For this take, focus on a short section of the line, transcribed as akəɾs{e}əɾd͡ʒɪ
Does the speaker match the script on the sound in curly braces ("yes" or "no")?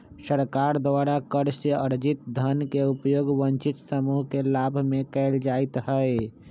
yes